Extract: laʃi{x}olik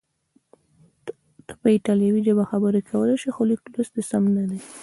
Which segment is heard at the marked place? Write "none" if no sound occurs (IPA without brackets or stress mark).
x